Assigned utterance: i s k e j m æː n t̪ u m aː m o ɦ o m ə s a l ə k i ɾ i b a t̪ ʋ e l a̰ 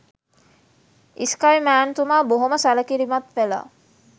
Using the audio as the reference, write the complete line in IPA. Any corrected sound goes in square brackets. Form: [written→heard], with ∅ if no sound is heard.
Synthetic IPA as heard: i s k [e→a] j m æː n t̪ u m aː [m→b] o ɦ o m ə s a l ə k i ɾ i [b→m] a t̪ ʋ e l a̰